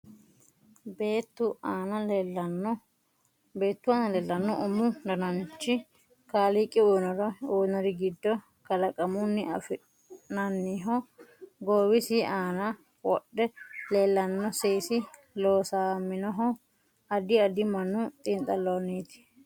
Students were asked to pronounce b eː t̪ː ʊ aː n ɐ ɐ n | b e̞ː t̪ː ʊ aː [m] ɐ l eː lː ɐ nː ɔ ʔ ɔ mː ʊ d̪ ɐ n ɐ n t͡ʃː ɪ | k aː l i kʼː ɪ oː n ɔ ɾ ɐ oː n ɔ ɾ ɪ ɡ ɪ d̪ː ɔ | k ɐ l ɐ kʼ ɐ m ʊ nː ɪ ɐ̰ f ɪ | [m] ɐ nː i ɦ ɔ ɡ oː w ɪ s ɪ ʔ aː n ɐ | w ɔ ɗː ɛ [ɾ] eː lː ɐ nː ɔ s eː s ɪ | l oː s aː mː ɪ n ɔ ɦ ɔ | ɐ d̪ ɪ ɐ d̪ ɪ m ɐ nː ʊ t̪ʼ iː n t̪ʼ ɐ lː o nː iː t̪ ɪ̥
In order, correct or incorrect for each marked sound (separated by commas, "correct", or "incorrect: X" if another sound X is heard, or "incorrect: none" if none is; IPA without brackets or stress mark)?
incorrect: n, incorrect: n, incorrect: l